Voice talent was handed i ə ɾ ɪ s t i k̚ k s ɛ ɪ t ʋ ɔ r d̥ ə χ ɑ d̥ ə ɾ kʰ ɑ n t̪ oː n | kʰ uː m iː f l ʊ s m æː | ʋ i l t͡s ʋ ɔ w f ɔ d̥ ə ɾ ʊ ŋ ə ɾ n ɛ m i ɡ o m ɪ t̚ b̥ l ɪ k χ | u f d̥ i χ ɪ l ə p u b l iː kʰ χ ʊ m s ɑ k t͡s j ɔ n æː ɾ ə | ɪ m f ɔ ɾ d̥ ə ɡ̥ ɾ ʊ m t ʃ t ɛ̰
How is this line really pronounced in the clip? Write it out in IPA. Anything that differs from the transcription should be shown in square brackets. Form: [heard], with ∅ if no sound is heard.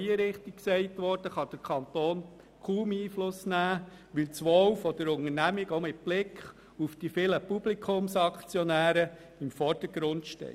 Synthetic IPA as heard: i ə ɾ ɪ [χ] t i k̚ k s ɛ ɪ t ʋ ɔ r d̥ ə χ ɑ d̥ ə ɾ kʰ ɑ n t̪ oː n | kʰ uː m iː f l ʊ s [n] æː | ʋ [ɪ] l t͡s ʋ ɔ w f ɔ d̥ ə ɾ ʊ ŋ ə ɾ n [æ] m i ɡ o m ɪ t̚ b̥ l ɪ k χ | u f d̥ i [f] ɪ l ə p u b l [i] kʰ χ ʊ m s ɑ k t͡s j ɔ n æː ɾ ə | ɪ m f ɔ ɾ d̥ ə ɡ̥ ɾ ʊ [n] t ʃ t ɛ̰

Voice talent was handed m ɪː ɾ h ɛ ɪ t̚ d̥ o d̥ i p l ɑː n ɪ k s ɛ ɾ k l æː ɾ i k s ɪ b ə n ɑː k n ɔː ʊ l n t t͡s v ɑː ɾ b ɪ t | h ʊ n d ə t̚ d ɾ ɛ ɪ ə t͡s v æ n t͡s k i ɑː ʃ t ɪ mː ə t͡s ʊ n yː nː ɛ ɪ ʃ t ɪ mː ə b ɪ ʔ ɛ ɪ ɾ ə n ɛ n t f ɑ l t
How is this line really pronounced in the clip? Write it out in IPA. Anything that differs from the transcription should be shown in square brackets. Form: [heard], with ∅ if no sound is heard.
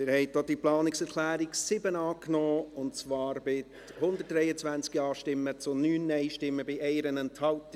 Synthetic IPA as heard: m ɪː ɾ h ɛ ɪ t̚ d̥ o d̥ i p l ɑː n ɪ k s ɛ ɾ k l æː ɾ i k s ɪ b ə n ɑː k n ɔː ʊ [∅] n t t͡s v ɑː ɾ b ɪ t | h ʊ n d ə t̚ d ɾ ɛ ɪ ə t͡s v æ n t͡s k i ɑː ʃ t ɪ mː ə t͡s ʊ n yː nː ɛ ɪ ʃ t ɪ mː ə b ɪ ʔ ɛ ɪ ɾ ə n ɛ n t [h] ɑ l t

